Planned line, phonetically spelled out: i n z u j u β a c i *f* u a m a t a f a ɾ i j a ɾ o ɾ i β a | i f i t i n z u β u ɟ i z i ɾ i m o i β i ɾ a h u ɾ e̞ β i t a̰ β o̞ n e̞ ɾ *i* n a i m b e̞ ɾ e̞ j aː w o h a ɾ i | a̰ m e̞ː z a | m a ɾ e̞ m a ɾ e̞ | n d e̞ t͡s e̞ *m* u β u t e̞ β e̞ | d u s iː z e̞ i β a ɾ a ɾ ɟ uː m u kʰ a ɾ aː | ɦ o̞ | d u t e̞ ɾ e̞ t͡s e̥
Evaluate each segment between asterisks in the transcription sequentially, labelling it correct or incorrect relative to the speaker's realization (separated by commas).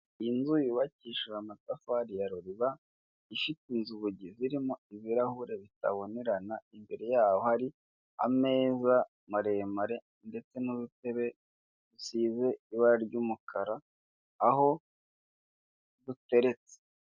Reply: incorrect, incorrect, incorrect